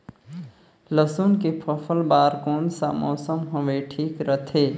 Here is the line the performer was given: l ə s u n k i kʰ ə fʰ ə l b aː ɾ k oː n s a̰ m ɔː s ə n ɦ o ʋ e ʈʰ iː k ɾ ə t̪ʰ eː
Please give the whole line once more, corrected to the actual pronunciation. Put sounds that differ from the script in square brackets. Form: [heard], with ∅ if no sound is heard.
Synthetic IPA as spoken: l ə s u n k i [pʰ] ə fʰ ə l b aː ɾ k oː n s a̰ m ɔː s ə [m] ɦ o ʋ e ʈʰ iː k ɾ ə t̪ʰ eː